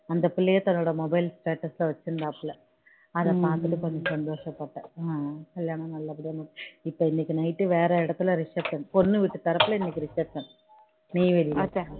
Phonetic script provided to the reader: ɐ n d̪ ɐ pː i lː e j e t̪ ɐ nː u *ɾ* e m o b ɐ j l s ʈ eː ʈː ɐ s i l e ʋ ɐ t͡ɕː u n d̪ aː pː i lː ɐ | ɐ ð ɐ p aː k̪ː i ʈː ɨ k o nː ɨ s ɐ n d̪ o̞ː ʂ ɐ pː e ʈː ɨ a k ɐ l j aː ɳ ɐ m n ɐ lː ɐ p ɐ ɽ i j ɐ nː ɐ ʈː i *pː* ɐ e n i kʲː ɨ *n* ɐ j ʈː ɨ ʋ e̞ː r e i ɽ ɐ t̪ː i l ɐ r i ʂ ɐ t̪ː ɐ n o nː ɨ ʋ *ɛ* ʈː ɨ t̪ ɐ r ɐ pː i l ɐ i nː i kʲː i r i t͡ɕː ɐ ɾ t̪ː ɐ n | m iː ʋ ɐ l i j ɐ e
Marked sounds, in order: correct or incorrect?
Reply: incorrect, correct, correct, incorrect

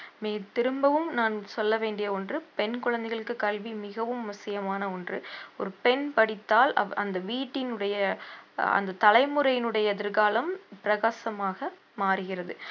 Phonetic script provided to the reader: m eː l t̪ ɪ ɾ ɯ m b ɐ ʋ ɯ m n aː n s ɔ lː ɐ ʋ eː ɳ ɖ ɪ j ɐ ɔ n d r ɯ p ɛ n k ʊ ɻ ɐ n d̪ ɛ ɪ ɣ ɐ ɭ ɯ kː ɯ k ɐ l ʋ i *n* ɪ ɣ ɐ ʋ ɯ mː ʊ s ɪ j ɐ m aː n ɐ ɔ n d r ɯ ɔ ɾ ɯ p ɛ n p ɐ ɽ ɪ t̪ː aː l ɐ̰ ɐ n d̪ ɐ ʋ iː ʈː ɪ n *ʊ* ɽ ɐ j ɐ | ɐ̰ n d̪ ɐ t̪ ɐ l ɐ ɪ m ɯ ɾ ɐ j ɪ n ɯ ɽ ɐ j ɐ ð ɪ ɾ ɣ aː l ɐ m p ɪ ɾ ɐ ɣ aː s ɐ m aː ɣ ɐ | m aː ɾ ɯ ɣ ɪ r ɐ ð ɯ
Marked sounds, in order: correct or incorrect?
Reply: incorrect, incorrect

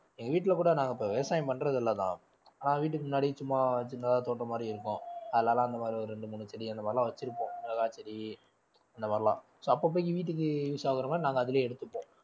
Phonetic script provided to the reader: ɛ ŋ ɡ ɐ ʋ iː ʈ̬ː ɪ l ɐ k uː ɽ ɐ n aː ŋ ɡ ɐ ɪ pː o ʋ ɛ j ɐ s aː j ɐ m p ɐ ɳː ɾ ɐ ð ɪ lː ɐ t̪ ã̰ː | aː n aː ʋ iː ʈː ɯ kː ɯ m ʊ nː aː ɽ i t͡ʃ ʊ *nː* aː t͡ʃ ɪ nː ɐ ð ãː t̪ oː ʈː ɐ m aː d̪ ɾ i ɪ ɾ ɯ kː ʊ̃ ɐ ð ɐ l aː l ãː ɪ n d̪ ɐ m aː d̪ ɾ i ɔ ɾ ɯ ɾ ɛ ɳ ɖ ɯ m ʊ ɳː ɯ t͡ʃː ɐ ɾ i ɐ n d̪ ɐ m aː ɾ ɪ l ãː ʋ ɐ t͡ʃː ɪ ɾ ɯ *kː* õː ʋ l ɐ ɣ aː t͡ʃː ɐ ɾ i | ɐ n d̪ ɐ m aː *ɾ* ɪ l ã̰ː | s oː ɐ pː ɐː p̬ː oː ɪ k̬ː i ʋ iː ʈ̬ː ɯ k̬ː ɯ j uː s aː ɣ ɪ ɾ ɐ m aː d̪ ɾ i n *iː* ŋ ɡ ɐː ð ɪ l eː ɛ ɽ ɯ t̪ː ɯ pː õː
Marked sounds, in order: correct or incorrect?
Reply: incorrect, incorrect, correct, incorrect

